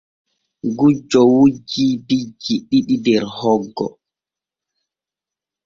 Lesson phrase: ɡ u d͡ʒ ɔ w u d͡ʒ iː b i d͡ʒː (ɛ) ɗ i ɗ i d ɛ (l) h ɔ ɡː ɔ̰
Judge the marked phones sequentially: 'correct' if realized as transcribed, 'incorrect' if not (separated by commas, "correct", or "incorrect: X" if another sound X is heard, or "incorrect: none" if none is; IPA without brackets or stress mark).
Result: incorrect: i, incorrect: ɾ